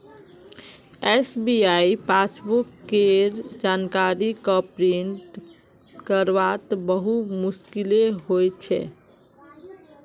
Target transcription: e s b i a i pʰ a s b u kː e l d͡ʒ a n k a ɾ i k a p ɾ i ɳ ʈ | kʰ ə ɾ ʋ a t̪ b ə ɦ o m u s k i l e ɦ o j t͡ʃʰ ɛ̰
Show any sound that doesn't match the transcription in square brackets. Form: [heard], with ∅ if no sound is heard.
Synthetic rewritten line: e s b i a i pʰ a s b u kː e [ɾ] d͡ʒ a n k a ɾ i k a p ɾ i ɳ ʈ | [k] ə ɾ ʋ a t̪ b ə ɦ [u] m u s k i l e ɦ o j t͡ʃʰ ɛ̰